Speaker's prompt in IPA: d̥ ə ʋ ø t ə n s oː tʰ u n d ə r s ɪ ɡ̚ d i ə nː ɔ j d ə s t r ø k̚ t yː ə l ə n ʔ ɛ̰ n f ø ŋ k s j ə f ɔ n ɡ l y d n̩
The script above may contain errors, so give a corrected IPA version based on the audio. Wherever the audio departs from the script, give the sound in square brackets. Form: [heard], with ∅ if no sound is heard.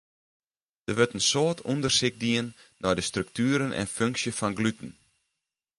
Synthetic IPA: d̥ ə ʋ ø t ə n s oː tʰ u n d ə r s ɪ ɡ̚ d i ə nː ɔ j d ə s t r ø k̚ t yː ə [ɾ] ə n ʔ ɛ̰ n f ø ŋ k s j ə f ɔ n ɡ l y [t] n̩